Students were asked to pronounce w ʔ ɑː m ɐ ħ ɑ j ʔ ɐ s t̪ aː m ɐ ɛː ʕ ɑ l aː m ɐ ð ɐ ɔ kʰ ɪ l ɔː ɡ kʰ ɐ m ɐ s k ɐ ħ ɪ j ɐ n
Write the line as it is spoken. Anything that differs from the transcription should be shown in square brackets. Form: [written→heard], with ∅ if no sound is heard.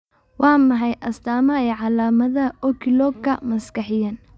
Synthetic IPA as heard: w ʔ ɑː m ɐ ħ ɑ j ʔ ɐ s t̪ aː m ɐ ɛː ʕ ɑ l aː m ɐ ð ɐ ɔ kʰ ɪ l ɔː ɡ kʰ ɐ m ɐ s k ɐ ħ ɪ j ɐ n